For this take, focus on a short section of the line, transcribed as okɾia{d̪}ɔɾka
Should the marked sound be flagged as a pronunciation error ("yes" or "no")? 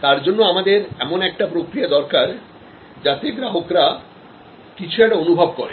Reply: no